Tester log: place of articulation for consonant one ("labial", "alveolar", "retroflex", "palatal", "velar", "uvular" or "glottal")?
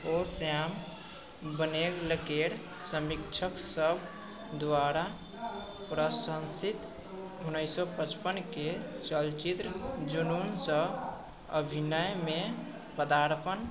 alveolar